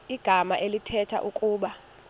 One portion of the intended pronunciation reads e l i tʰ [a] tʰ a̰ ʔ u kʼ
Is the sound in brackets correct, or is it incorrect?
incorrect: ɛ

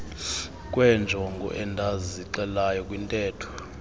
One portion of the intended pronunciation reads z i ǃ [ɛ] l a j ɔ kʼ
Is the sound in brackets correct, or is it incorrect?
correct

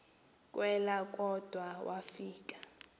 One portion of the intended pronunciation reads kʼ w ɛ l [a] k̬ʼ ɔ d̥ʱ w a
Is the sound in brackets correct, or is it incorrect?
correct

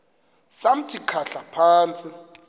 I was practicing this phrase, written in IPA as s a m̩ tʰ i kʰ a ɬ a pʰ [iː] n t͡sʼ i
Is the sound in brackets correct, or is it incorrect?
incorrect: aː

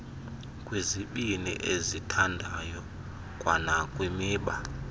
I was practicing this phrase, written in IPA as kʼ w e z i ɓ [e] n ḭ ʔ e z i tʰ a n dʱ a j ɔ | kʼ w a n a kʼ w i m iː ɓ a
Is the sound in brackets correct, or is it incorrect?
incorrect: i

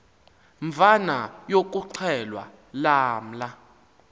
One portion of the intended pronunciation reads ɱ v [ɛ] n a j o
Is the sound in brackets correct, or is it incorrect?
incorrect: a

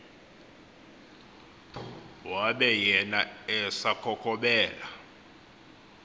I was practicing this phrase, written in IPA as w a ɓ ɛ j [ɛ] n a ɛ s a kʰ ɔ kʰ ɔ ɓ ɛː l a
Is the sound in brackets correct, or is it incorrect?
correct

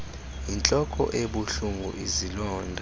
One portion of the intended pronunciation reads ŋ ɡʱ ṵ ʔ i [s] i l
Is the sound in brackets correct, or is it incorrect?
incorrect: z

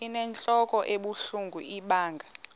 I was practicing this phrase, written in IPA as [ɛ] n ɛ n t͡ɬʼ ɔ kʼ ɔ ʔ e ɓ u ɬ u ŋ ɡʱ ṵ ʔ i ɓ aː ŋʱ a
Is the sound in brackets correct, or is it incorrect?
incorrect: i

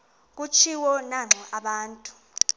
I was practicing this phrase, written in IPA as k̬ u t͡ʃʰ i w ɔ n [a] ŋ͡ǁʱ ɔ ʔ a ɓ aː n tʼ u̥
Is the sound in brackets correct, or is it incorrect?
correct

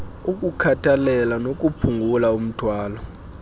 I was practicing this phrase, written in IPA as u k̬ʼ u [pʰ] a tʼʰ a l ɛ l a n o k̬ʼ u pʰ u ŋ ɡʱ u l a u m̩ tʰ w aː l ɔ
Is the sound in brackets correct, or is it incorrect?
incorrect: kʰ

